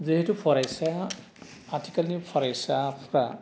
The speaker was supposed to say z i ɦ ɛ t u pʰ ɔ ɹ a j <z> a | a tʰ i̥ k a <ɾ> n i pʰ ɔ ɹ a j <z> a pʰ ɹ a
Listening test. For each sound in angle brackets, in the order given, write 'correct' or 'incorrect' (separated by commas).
incorrect, incorrect, incorrect